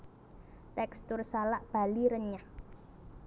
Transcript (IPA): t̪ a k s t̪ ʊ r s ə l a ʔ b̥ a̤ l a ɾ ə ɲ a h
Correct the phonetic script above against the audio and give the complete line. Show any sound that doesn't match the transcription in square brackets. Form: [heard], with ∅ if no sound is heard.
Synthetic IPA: t̪ [ɛ] k s t̪ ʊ r s [a] l a ʔ b̥ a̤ l [i] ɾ ə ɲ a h